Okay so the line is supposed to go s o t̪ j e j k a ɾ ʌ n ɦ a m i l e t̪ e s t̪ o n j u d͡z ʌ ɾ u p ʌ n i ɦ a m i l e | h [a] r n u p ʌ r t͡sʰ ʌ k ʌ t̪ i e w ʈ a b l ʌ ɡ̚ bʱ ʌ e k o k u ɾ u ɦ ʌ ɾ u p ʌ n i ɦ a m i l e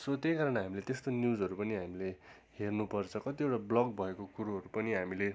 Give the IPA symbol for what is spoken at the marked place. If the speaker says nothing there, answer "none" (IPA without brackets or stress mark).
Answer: e